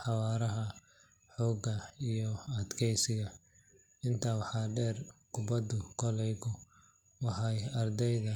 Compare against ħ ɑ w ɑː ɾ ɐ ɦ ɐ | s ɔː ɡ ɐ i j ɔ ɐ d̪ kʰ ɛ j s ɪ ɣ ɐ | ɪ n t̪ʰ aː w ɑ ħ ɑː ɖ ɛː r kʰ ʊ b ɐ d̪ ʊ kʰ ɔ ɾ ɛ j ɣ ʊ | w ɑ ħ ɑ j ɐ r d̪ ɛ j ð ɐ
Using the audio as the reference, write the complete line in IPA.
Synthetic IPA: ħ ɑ w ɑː ɾ ɐ ɦ ɐ | ħ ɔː ɡ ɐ i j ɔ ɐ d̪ kʰ ɛ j s ɪ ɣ ɐ | ɪ n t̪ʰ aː w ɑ ħ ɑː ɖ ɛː r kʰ ʊ b ɐ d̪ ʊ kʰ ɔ l ɛ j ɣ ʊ | w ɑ ħ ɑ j ɐ r d̪ ɛ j ð ɐ